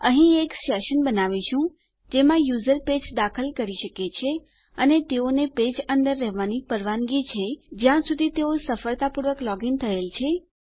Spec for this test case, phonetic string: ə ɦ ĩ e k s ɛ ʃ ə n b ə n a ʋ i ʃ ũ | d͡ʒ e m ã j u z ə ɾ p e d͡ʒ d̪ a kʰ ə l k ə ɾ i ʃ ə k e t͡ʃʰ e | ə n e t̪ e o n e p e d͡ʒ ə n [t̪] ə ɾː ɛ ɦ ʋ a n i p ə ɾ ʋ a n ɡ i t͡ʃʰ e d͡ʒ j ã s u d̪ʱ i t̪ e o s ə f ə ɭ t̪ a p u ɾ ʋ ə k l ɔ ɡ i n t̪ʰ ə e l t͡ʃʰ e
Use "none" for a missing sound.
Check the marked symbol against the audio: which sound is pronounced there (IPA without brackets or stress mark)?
d̪